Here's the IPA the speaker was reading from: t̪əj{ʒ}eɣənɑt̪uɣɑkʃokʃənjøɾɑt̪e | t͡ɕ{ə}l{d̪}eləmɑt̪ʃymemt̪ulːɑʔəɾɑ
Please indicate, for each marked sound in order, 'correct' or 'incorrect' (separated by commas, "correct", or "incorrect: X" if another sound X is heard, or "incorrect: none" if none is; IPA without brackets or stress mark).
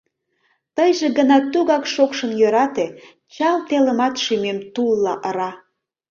correct, incorrect: ɑ, incorrect: t̪